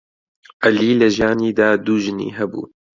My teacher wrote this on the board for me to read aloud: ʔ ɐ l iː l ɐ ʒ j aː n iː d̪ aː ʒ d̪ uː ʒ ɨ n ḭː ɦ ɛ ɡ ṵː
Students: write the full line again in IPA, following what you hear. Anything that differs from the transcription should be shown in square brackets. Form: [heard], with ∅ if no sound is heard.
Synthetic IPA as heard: ʔ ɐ l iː l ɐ ʒ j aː n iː d̪ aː [∅] d̪ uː ʒ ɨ n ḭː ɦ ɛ [b] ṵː